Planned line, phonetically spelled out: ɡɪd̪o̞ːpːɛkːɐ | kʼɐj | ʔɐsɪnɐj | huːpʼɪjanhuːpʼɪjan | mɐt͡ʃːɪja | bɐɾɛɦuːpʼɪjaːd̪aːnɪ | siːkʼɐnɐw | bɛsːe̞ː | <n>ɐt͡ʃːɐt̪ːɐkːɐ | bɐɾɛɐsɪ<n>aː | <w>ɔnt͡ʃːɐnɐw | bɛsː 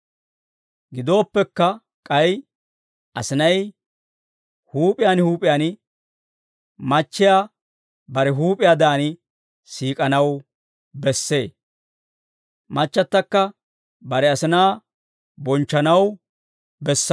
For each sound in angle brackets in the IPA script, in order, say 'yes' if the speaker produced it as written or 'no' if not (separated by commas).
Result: no, yes, no